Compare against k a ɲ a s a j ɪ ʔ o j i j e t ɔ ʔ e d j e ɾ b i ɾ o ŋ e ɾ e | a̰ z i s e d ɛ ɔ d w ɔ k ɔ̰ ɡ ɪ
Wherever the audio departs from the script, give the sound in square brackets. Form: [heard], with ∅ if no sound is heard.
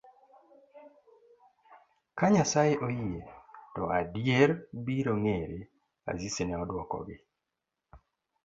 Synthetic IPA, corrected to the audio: k a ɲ a s a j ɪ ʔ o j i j e t ɔ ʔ [a] d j e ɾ b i ɾ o ŋ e ɾ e | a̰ z i s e [n] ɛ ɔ d w ɔ k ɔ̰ ɡ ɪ